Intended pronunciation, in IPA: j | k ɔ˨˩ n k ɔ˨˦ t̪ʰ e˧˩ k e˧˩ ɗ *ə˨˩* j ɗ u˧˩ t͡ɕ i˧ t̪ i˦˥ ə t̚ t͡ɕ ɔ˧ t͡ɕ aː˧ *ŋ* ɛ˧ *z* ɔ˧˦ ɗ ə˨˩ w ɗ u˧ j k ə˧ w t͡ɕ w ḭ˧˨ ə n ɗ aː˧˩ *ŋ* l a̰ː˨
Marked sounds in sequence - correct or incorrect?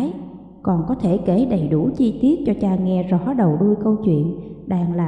correct, correct, correct, correct

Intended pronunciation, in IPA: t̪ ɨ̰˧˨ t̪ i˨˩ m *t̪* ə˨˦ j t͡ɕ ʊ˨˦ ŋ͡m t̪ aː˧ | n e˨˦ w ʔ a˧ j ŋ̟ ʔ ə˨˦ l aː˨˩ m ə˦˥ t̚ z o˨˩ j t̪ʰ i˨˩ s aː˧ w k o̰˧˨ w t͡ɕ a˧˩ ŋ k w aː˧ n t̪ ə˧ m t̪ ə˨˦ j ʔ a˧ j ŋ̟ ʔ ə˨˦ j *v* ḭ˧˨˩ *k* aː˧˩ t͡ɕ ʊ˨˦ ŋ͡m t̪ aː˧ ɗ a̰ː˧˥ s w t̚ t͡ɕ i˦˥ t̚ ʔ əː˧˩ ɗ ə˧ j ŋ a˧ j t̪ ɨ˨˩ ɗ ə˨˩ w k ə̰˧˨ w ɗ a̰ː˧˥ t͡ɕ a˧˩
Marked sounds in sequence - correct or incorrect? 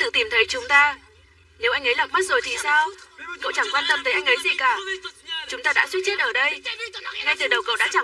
incorrect: t̪ʰ, incorrect: z, correct

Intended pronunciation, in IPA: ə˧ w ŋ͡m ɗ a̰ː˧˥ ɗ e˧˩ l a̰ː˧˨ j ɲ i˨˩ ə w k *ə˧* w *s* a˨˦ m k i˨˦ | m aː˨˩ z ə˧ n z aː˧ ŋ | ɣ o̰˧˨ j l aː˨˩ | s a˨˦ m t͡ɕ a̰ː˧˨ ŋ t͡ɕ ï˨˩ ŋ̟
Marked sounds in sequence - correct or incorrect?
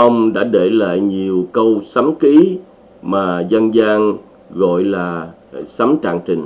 correct, correct

